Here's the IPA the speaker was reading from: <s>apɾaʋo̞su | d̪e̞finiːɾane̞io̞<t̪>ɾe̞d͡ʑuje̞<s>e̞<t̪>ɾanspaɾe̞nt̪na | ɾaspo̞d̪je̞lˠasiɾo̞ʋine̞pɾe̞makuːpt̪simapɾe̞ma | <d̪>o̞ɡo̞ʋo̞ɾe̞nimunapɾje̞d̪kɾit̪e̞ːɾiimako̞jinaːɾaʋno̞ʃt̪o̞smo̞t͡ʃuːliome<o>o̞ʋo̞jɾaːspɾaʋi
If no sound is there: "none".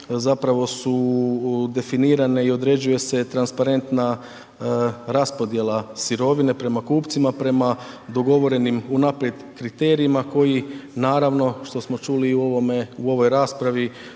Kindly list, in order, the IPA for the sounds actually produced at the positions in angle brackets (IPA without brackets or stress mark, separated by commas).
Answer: z, d̪, s, t̪, d̪, u